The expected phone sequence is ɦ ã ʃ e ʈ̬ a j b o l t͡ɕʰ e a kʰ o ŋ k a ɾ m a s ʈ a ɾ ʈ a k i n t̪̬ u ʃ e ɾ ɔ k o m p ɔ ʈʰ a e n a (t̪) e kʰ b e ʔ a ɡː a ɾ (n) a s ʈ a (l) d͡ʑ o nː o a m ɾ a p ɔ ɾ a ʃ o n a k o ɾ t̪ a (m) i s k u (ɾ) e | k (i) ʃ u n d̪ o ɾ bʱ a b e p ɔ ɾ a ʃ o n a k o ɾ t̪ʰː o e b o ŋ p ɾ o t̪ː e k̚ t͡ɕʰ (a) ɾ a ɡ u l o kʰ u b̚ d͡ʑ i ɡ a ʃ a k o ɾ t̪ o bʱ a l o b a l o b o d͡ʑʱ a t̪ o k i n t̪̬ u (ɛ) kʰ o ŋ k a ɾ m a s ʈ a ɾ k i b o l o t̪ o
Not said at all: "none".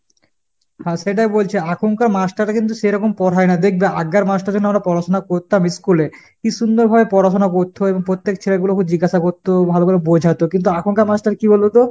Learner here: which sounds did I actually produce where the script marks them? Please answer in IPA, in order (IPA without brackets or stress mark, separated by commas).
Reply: d̪, m, ɾ, m, l, i, e, a